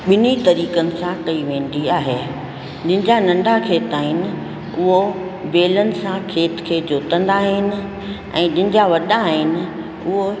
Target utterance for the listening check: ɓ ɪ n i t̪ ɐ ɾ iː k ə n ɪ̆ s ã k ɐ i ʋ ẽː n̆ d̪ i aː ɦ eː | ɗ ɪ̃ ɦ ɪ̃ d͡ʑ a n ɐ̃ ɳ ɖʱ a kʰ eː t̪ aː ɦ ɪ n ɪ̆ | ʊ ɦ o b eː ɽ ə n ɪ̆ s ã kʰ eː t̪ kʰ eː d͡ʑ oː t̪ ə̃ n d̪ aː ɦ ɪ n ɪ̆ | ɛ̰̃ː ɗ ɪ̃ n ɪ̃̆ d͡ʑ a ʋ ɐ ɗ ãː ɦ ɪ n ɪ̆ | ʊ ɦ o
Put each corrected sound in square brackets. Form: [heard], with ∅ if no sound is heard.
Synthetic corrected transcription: ɓ ɪ n i t̪ ɐ ɾ iː k ə n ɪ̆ s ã k ɐ i ʋ ẽː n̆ d̪ i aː ɦ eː | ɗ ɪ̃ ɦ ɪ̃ d͡ʑ a n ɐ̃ ɳ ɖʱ a kʰ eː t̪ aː ɦ ɪ n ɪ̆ | ʊ ɦ o b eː [l] ə n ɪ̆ s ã kʰ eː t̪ kʰ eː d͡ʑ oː t̪ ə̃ n d̪ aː ɦ ɪ n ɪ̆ | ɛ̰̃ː ɗ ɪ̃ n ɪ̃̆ d͡ʑ a ʋ ɐ ɗ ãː ɦ ɪ n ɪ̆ | ʊ ɦ o